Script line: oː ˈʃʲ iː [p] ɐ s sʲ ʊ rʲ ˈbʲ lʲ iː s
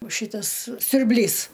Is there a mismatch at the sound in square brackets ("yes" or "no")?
yes